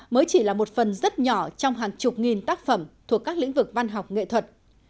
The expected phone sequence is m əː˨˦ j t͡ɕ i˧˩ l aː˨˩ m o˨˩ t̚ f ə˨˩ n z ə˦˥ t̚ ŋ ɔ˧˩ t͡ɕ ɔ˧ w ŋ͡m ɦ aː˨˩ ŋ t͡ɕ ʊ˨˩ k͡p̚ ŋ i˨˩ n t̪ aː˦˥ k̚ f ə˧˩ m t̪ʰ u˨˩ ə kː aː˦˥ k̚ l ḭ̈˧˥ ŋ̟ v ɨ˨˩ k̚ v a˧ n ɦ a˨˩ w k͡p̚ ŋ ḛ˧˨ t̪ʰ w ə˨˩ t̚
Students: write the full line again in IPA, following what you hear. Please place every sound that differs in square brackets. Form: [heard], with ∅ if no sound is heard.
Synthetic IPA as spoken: m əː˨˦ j t͡ɕ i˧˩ l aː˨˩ m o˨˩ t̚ f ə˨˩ n z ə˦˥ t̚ [ɲ] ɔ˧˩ t͡ɕ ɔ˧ w ŋ͡m ɦ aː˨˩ ŋ t͡ɕ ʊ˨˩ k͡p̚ ŋ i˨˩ n t̪ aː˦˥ k̚ f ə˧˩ m t̪ʰ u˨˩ ə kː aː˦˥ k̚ l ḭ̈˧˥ ŋ̟ v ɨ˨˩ k̚ v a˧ n ɦ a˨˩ w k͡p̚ ŋ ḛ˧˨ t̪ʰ w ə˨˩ t̚